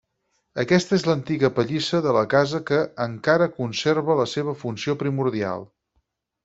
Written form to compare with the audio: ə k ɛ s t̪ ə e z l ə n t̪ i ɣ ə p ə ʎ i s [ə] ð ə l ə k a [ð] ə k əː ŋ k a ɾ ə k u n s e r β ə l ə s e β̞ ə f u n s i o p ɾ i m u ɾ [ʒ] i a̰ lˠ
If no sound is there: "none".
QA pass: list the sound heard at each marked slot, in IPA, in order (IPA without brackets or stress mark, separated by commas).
ə, z, ð